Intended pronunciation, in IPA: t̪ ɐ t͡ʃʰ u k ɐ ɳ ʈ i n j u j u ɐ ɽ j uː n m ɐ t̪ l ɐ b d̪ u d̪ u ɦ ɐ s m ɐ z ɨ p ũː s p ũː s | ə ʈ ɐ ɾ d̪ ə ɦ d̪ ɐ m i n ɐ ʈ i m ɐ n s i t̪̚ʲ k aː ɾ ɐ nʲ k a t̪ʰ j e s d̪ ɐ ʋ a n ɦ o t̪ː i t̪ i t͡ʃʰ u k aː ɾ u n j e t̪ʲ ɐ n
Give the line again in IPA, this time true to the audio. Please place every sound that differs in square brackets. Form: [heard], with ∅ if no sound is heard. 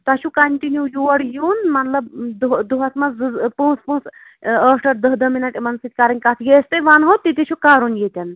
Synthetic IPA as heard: t̪ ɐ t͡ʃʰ u k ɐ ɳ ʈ i n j u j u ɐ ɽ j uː n m ɐ t̪ l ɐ b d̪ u d̪ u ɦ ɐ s m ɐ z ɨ p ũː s p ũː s | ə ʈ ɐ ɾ d̪ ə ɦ d̪ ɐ m i n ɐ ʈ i m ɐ n s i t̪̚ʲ k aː ɾ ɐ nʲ k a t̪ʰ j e s [t̪] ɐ ʋ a n ɦ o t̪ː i t̪ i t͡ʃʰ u k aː ɾ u n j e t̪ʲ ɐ n